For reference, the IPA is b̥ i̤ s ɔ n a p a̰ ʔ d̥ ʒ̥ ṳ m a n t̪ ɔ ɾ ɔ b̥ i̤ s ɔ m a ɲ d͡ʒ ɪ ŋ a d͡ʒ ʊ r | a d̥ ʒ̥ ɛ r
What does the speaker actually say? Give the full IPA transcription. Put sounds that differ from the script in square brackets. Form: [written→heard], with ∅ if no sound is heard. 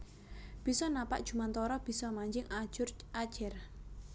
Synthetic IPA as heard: b̥ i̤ s ɔ n a p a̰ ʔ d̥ ʒ̥ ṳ m a n t̪ ɔ ɾ ɔ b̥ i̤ s ɔ m a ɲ d͡ʒ ɪ ŋ a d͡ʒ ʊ r | a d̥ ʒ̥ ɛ r